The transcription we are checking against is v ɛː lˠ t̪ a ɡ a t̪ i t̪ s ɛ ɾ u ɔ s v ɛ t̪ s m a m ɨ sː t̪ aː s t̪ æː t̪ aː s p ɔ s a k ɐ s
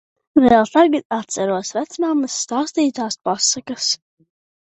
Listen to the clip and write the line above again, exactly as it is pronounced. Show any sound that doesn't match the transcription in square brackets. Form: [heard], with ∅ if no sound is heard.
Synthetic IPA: v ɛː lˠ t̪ a ɡ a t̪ [a] t̪ s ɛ ɾ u ɔ s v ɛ t̪ s m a m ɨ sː t̪ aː s t̪ [iː] t̪ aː s p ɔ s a k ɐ s